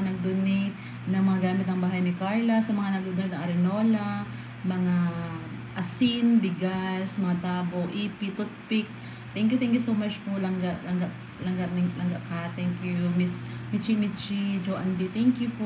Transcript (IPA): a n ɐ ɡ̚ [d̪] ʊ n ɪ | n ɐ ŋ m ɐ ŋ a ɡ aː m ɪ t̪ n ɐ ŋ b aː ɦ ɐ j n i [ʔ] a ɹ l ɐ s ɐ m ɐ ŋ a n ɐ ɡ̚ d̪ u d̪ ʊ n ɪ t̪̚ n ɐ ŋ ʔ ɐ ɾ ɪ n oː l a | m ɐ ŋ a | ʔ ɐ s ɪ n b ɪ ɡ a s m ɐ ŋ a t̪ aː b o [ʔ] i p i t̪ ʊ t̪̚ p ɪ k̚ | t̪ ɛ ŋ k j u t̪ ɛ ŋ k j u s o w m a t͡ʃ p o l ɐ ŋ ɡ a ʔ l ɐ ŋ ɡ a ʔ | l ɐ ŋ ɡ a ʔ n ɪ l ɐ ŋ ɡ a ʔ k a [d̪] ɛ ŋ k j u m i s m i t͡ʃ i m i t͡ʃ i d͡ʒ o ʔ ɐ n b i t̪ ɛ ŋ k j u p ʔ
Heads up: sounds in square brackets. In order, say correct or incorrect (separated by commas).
correct, incorrect, correct, incorrect